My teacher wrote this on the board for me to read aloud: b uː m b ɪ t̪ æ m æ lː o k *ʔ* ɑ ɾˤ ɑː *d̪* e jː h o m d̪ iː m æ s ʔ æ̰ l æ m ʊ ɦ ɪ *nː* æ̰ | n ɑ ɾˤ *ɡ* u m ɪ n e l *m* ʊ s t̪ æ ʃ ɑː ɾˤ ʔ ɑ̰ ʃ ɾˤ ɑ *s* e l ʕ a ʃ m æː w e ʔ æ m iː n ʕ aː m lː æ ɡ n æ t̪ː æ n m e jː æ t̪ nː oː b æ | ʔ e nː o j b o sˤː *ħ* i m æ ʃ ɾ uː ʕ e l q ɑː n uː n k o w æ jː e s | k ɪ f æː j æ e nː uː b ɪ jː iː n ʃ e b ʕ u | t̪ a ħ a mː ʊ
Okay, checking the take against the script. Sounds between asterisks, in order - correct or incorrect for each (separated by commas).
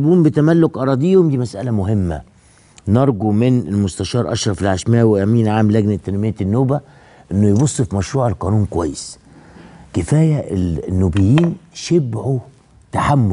correct, correct, incorrect, correct, correct, incorrect, incorrect